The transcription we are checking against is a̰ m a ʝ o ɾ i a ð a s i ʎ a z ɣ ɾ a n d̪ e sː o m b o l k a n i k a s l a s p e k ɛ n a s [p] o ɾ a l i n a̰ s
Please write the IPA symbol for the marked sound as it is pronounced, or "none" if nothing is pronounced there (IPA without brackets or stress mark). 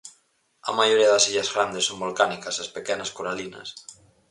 k